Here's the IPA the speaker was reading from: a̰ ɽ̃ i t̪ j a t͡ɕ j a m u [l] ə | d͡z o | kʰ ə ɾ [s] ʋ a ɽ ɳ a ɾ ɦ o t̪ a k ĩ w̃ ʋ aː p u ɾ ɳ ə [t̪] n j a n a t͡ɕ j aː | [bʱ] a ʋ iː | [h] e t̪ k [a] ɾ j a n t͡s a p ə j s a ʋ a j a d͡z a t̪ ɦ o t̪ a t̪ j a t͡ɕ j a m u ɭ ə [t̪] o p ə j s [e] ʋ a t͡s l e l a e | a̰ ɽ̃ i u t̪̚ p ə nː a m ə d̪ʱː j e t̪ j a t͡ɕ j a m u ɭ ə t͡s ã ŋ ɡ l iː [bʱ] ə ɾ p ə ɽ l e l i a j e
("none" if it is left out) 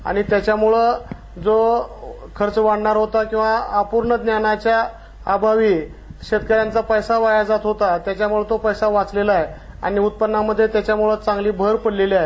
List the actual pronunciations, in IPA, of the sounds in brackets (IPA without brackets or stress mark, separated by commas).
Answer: ɭ, t͡s, d̪, bʱ, ɕ, ə, t̪, a, bʱ